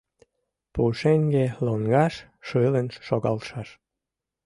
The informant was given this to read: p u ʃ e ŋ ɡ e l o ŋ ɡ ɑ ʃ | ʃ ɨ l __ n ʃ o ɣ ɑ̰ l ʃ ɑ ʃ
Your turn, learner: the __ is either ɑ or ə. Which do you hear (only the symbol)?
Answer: ə